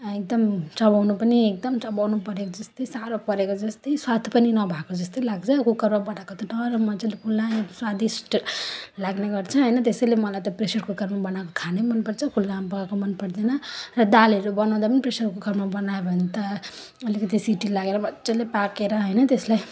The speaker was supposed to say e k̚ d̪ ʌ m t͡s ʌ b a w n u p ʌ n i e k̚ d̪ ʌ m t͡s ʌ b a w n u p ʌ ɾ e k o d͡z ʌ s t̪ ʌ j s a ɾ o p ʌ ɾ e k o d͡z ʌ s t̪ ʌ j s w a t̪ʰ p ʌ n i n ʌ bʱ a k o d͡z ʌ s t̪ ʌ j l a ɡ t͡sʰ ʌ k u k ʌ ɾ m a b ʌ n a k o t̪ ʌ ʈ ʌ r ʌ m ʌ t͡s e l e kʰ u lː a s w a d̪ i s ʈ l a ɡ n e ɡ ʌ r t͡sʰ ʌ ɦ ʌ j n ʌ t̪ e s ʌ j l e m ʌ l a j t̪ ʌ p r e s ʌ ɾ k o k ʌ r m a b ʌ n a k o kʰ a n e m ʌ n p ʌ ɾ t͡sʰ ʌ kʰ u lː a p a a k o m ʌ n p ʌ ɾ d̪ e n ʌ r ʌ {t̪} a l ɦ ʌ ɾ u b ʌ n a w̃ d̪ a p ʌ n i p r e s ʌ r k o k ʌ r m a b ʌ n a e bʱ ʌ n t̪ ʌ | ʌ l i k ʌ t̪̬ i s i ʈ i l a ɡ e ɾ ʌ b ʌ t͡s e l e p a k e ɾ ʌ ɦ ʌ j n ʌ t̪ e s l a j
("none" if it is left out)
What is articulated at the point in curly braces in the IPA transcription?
d̪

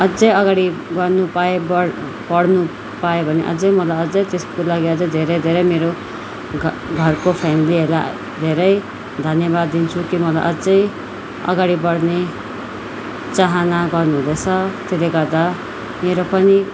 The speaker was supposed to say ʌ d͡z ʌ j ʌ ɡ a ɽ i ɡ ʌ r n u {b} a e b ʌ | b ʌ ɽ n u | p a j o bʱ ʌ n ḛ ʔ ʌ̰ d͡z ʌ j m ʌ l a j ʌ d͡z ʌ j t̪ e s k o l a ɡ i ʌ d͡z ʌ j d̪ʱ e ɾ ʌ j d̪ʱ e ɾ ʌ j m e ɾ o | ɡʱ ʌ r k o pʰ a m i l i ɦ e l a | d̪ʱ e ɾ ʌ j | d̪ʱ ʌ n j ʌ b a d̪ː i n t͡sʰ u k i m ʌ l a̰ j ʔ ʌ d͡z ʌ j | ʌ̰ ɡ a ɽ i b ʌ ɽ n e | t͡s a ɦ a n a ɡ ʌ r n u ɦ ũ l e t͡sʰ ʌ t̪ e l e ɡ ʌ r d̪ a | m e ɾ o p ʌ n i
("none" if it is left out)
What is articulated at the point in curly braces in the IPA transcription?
p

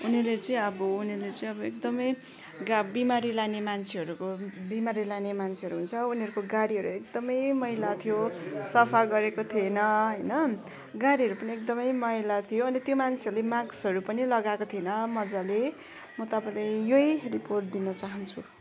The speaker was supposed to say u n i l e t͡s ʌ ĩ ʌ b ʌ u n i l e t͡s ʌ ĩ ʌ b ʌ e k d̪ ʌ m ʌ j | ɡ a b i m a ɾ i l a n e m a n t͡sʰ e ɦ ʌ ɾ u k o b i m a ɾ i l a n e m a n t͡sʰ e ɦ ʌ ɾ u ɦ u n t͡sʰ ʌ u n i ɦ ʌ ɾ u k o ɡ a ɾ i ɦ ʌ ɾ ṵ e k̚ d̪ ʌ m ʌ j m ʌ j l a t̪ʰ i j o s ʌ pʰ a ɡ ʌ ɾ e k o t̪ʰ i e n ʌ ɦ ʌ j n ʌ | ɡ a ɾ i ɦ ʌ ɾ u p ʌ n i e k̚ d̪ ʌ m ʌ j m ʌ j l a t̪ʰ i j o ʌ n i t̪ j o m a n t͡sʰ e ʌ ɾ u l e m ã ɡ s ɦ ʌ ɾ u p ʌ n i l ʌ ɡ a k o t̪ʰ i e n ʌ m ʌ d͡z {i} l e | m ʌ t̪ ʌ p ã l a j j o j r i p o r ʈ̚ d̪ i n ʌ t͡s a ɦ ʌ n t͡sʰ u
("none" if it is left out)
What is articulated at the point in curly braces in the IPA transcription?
a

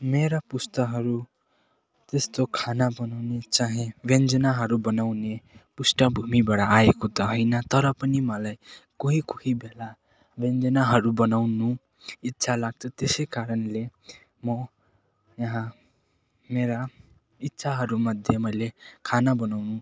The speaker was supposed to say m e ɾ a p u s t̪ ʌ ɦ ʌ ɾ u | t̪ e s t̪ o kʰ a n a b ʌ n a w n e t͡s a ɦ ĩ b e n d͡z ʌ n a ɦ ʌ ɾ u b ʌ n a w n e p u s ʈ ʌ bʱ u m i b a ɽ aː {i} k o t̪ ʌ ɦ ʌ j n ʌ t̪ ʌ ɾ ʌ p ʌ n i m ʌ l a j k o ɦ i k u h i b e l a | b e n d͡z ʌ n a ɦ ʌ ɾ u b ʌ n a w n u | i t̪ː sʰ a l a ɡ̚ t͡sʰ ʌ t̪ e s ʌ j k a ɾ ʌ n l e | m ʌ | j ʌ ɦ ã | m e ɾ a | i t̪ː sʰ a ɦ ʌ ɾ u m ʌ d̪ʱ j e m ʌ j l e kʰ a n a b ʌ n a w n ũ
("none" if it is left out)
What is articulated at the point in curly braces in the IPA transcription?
e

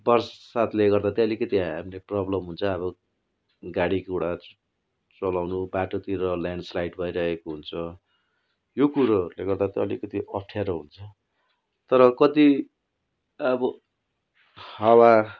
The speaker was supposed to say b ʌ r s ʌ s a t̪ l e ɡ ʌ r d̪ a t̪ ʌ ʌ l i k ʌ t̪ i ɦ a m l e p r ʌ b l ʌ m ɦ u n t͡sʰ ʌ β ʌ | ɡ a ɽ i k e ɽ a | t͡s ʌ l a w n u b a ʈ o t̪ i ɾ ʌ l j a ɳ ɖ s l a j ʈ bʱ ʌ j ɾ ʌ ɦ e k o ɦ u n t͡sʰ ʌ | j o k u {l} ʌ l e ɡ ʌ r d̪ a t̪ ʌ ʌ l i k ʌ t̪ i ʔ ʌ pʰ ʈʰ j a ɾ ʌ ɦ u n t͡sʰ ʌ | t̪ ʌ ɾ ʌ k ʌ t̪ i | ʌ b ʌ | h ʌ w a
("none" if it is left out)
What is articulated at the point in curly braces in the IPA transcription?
ɾ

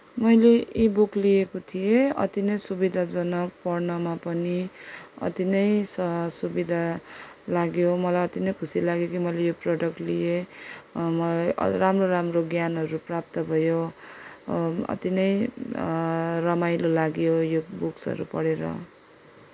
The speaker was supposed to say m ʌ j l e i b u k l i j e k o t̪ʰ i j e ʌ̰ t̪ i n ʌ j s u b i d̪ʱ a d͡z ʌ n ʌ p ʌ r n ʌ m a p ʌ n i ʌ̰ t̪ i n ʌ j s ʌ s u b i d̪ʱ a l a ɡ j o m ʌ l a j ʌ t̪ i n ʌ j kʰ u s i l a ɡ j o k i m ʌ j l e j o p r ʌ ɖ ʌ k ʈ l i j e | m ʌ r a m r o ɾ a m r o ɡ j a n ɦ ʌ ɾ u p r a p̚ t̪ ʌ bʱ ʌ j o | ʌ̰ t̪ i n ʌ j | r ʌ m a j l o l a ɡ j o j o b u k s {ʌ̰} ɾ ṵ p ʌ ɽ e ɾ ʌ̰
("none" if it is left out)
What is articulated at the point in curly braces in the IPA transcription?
ʌ̰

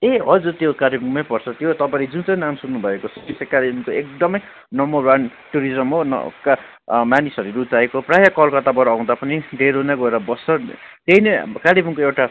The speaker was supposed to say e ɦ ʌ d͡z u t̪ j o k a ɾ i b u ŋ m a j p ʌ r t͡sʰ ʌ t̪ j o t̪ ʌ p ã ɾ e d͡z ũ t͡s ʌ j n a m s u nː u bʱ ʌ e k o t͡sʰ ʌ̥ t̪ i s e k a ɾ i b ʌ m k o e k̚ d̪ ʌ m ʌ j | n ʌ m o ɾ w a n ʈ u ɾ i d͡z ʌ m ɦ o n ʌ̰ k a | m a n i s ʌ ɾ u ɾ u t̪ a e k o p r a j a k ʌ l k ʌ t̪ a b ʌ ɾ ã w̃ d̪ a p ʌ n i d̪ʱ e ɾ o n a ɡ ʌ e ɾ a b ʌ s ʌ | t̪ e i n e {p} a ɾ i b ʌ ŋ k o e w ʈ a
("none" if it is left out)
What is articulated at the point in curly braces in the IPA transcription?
k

